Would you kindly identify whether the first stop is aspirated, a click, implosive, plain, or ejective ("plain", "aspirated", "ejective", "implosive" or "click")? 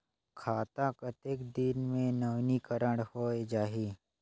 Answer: aspirated